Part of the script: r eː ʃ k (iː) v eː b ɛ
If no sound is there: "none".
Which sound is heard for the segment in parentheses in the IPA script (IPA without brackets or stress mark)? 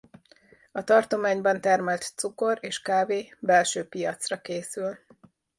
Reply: aː